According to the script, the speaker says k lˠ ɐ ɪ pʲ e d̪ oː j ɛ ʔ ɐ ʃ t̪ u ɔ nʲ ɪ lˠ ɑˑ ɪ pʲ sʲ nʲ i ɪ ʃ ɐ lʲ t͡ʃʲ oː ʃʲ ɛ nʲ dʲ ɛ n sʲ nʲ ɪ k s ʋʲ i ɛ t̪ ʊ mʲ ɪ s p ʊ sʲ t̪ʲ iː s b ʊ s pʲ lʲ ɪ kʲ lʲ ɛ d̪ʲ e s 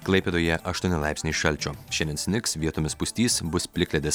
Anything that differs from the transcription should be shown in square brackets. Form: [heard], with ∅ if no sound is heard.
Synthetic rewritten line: k lˠ ɐ ɪ pʲ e d̪ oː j ɛ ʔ ɐ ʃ t̪ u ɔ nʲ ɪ lˠ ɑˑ ɪ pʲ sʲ nʲ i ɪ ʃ ɐ lʲ t͡ʃʲ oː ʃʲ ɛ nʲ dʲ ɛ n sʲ nʲ ɪ k s ʋʲ i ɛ t̪ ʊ mʲ ɪ s p ʊ sʲ t̪ʲ iː s b ʊ s pʲ lʲ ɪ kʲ lʲ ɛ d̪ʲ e s